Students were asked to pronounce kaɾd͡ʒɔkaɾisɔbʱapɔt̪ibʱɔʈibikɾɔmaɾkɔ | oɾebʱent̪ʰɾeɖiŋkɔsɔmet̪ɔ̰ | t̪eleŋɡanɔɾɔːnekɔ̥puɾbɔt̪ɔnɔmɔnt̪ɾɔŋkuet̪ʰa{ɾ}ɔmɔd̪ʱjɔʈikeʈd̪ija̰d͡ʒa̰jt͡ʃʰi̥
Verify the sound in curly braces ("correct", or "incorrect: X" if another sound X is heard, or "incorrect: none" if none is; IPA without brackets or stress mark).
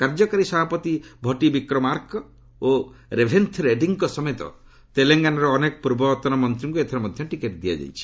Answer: correct